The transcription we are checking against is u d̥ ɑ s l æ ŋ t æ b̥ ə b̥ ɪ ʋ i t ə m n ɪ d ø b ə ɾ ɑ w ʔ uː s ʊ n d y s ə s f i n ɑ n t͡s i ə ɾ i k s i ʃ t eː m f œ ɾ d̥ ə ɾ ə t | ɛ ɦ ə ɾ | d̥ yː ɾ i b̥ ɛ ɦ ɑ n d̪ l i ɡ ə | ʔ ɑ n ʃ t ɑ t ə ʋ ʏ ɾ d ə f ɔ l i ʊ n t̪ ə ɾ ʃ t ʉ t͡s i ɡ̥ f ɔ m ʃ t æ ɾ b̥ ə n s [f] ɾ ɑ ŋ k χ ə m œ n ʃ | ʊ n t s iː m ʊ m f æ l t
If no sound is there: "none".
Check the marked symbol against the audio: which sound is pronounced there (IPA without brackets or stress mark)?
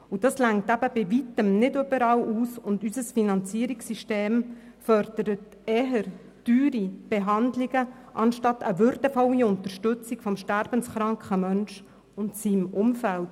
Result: χ